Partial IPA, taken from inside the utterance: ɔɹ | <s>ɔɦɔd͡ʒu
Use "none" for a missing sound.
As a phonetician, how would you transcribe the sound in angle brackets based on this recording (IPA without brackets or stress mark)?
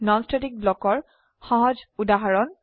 x